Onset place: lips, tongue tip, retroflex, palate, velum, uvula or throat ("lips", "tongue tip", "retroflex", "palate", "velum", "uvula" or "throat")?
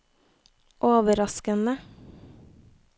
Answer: throat